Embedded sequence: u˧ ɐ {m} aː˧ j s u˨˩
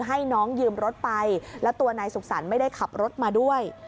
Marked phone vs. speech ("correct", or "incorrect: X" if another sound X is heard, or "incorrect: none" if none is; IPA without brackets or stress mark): incorrect: n